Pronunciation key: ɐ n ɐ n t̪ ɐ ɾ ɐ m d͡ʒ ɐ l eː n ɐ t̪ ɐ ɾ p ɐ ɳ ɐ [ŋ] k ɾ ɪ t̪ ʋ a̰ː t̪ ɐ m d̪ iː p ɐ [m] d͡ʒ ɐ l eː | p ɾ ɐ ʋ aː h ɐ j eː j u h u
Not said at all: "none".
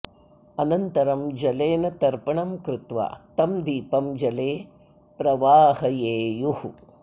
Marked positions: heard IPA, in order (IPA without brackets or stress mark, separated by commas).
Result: m, m